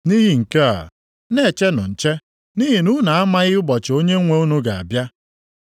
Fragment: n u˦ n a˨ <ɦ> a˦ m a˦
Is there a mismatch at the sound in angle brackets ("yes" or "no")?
yes